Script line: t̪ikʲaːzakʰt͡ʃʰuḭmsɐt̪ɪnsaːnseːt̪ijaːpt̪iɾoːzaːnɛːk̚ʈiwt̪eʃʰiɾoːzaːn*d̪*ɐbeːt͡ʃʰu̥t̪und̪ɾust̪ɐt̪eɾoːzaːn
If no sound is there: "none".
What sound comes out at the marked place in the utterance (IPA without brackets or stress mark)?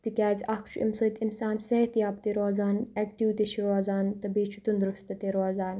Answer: t̪